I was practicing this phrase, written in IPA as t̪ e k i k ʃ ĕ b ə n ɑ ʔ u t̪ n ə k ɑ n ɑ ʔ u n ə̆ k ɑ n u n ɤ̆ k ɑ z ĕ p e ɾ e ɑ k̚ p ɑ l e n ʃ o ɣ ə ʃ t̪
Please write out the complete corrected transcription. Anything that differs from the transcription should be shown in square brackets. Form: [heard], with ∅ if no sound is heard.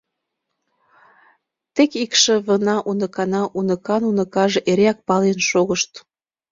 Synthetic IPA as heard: t̪ e k i k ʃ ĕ [β] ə n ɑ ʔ u [∅] n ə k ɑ n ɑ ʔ u n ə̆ k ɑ n u n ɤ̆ k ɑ [ʒ] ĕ [ʔ] e ɾ e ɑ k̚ p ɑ l e n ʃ o ɣ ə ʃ t̪

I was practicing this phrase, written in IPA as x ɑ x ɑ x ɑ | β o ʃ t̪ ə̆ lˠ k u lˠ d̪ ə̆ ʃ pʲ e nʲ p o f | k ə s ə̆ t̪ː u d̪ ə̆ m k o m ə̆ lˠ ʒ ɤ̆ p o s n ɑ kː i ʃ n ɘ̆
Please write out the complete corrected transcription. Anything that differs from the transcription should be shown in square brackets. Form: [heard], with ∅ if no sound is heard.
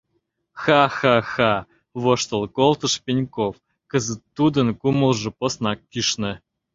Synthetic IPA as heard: x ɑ x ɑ x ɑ | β o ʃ t̪ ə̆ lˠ k [o] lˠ [t̪] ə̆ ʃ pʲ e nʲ [k] o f | k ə [z] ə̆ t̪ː u d̪ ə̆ [n] k [u] m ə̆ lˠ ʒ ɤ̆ p o s n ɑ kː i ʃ n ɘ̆

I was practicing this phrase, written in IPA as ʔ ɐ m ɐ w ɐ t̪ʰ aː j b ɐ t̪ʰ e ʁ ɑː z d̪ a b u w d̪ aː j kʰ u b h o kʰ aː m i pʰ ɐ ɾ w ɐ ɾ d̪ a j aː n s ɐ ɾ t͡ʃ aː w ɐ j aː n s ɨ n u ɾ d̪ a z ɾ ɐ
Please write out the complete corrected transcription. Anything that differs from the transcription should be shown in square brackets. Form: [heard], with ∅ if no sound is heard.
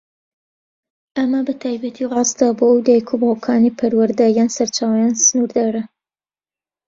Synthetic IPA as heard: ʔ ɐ m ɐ [b] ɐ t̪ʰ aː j b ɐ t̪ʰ [i] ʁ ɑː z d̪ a b [o] w d̪ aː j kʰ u b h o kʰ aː [n] i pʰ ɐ ɾ w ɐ ɾ d̪ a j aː n s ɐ ɾ t͡ʃ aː w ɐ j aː n s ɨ n u ɾ d̪ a [∅] ɾ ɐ

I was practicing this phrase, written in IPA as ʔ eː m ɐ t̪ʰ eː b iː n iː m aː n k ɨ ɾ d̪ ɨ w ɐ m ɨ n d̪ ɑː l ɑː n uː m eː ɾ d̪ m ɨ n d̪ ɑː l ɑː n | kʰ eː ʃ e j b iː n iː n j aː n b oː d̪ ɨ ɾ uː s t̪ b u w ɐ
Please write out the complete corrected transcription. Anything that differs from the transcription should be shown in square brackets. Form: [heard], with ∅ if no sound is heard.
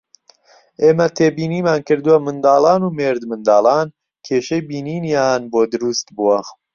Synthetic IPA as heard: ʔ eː m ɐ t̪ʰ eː b iː n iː m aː n k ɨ ɾ d̪ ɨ w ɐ m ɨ n d̪ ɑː l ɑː n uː m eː ɾ d̪ m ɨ n d̪ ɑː l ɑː n | kʰ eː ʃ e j b iː n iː n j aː n b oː d̪ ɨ ɾ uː s t̪ b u w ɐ

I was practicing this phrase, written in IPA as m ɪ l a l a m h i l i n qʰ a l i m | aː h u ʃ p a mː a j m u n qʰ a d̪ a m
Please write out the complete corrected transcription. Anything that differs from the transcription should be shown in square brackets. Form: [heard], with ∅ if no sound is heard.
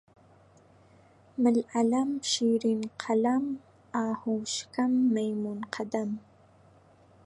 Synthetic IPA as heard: m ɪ l a l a m [ʃ] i [ɾ] i n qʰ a l [a] m | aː h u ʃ [k] a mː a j m u n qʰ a d̪ a m

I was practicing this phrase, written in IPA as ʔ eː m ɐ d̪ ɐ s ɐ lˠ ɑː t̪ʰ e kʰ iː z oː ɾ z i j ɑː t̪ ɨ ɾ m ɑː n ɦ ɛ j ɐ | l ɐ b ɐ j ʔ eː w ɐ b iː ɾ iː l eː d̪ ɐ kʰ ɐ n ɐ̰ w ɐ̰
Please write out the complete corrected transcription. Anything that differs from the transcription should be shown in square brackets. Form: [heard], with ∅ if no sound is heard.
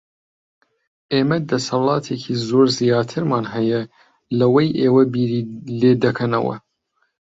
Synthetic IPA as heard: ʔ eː m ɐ d̪ ɐ s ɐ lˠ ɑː t̪ʰ e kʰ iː z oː ɾ z i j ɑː [t̪ʰ] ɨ ɾ m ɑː n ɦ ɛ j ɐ | l ɐ [w] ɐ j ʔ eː w ɐ b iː ɾ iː l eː d̪ ɐ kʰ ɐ n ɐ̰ w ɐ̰

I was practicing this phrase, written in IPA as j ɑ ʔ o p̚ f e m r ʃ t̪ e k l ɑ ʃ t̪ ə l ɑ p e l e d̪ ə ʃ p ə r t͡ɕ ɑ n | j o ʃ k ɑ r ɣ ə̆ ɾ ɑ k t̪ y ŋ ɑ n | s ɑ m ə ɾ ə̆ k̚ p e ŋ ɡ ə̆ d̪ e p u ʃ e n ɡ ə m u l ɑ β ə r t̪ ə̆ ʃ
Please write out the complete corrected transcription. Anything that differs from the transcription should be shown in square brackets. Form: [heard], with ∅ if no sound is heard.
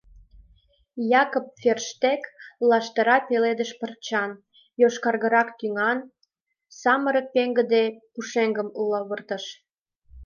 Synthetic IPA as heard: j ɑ [k] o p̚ f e [∅] r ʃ t̪ e k l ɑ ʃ t̪ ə [ɾ] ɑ p e l e d̪ ə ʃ p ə r t͡ɕ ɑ n | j o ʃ k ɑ r ɣ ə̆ ɾ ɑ k t̪ y ŋ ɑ n | s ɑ m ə ɾ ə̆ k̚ p e ŋ ɡ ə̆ d̪ e p u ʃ e [ŋ] ɡ ə m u l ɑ β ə r t̪ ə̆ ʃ

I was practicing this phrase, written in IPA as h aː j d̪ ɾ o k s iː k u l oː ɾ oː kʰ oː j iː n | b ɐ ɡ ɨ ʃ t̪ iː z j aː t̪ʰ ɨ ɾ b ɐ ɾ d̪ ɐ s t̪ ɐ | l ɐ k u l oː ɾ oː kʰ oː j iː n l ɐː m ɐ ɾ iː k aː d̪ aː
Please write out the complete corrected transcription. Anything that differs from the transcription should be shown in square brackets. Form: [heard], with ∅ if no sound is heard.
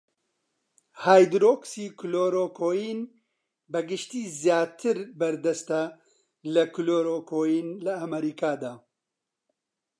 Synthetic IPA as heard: h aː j d̪ ɾ o k s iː k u l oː ɾ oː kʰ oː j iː n | b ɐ ɡ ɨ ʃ t̪ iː z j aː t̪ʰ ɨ ɾ b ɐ ɾ d̪ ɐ s t̪ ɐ | l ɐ k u l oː ɾ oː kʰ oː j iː n l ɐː m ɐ ɾ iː k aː d̪ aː

